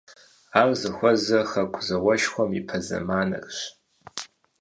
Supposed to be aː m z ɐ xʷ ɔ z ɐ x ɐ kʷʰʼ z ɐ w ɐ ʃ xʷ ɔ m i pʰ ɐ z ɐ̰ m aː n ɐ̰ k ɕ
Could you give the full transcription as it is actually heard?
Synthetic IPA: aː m z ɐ xʷ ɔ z ɐ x ɐ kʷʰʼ z ɐ w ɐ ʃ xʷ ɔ m i pʰ ɐ z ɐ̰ m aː n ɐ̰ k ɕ